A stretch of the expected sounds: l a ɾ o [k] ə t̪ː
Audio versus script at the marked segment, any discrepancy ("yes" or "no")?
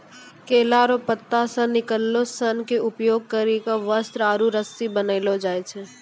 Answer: yes